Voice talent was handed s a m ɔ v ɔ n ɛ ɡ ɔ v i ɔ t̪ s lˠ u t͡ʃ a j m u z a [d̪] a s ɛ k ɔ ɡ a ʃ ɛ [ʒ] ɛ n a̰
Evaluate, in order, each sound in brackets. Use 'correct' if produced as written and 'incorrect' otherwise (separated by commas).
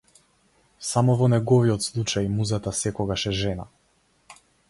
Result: incorrect, correct